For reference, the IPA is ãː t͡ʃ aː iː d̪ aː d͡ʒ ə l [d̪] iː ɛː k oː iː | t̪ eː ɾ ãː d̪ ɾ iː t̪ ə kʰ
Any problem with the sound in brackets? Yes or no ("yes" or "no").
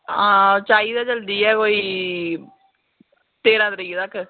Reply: no